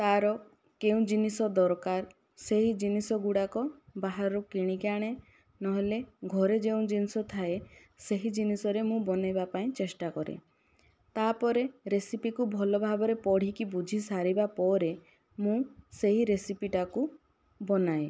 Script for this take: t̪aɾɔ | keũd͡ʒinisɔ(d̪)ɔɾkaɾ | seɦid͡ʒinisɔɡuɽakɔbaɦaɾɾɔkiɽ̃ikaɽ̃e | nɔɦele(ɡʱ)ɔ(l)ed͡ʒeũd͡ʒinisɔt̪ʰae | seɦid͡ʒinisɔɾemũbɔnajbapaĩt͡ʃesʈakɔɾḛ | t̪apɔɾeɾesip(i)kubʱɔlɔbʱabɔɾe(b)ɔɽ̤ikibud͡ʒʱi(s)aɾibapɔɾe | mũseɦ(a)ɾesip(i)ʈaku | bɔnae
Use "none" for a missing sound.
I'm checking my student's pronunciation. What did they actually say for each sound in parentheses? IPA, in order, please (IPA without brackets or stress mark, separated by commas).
d̪, ɡʱ, ɾ, i, p, s, i, i